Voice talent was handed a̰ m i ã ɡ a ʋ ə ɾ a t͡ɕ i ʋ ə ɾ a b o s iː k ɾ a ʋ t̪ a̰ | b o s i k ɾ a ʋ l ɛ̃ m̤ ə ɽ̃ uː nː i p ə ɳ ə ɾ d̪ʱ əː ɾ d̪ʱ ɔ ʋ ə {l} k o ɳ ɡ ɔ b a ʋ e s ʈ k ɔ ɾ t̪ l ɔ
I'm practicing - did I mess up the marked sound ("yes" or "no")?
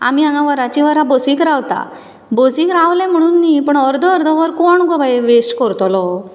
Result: yes